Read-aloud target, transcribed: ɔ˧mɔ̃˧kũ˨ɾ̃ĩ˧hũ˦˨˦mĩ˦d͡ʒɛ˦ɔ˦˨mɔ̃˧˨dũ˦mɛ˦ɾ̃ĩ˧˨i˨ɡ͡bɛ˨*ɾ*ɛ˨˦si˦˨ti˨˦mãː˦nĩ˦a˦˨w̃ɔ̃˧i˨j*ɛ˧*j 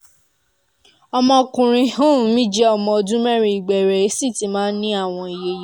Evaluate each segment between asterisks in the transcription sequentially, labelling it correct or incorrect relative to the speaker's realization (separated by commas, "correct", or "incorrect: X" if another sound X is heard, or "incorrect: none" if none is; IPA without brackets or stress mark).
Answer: correct, incorrect: e˧